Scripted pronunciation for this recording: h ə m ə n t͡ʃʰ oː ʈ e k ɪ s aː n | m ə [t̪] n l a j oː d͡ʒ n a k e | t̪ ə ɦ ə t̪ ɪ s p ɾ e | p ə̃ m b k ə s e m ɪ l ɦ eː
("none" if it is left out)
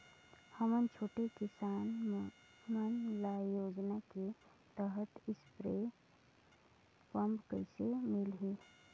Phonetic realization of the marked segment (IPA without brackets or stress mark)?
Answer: none